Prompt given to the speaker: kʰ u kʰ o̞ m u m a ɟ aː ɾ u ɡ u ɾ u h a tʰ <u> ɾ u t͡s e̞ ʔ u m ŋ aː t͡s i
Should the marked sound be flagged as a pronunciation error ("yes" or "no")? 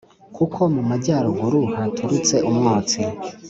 no